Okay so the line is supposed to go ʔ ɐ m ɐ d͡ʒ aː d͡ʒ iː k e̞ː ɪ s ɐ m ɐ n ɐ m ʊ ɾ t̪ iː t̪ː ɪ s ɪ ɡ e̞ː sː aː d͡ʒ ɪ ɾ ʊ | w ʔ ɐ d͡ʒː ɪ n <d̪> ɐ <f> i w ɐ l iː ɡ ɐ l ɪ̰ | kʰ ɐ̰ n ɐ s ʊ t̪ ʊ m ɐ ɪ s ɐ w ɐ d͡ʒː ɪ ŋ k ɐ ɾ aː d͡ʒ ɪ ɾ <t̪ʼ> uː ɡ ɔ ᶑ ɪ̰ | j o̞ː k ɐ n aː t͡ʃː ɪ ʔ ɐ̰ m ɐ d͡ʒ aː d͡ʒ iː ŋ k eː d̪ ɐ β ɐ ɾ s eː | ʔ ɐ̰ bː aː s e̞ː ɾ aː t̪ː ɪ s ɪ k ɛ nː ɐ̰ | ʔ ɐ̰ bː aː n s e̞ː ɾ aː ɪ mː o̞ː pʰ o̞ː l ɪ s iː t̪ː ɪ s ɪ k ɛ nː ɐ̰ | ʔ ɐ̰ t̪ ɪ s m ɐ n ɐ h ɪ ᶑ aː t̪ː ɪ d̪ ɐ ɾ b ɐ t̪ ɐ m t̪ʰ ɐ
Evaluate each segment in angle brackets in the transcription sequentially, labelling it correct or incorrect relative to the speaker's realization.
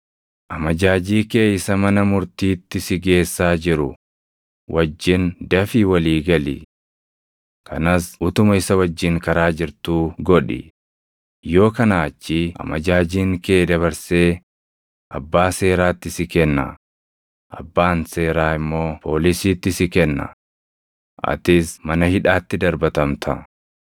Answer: correct, correct, incorrect: t̪

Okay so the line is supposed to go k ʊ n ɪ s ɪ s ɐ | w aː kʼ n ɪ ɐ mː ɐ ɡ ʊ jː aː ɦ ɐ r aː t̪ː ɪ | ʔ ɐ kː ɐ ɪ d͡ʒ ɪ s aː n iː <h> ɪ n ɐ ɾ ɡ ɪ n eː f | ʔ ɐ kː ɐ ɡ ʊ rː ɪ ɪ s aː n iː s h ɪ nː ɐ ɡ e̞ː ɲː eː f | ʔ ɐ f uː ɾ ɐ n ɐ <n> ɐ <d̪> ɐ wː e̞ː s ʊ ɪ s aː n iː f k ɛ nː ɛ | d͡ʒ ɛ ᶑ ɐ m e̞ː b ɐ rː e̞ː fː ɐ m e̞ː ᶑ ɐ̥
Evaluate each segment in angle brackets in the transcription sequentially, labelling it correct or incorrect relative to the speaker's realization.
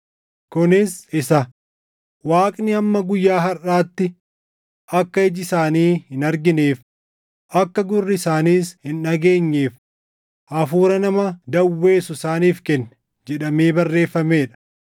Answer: correct, incorrect: m, correct

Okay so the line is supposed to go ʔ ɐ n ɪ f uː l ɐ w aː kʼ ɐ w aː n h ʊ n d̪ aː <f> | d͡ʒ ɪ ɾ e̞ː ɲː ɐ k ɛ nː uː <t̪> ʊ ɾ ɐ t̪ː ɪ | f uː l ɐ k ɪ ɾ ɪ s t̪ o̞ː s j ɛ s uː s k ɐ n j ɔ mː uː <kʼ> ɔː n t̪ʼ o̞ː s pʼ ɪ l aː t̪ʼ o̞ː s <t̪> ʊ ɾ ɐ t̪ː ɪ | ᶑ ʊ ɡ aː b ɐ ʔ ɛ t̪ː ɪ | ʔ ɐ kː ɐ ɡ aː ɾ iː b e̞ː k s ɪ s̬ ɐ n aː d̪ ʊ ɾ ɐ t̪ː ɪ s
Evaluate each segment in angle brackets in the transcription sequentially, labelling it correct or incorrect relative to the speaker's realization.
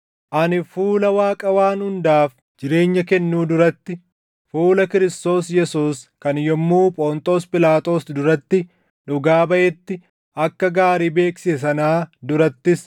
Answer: correct, incorrect: d̪, incorrect: pʼ, incorrect: d̪

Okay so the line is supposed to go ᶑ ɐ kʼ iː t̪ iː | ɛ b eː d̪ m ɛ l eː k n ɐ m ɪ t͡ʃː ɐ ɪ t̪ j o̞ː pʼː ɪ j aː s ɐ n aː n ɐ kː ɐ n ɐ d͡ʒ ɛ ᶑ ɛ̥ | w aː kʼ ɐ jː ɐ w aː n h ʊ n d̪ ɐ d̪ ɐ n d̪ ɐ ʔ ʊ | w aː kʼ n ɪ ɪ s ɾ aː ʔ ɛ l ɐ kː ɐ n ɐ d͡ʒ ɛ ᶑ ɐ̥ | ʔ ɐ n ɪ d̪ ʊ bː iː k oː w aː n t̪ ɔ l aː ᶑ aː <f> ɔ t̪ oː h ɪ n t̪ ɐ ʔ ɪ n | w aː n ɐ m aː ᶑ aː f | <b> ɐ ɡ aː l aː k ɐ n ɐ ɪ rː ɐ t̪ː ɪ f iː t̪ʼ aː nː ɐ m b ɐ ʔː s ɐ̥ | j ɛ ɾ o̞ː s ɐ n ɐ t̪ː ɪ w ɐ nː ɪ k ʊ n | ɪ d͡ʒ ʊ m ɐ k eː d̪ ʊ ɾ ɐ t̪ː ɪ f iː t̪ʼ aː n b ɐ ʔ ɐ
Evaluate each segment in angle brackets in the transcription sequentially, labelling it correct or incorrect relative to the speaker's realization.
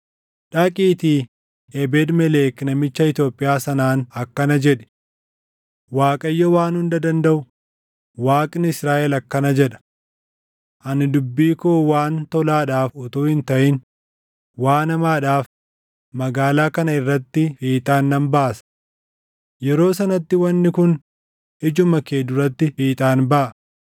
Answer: correct, incorrect: m

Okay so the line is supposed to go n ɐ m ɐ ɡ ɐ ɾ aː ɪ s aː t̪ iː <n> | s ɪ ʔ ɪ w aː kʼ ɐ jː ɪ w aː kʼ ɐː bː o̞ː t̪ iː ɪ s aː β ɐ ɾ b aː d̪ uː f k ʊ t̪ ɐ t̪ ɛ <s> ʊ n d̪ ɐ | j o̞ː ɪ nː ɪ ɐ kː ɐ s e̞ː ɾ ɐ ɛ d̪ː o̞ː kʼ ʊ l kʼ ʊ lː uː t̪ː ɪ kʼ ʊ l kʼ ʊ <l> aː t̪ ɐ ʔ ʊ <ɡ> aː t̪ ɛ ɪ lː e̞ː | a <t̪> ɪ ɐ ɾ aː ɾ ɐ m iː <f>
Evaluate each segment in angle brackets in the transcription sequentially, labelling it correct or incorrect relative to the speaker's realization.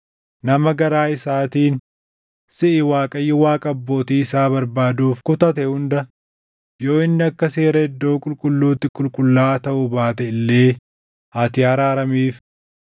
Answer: correct, incorrect: h, incorrect: lː, incorrect: b, correct, correct

